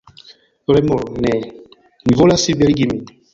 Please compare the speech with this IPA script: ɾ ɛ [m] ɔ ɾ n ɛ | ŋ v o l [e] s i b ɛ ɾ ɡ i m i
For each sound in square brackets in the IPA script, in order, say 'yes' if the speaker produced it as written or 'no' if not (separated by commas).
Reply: yes, no